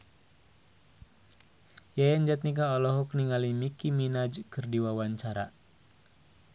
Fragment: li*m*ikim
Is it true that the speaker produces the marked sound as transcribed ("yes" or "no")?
yes